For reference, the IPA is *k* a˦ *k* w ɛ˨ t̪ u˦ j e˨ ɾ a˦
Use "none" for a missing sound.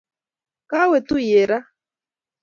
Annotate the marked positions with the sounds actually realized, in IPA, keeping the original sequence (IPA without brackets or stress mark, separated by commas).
k, none